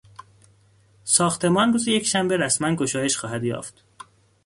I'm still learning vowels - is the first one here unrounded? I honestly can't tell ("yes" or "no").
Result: no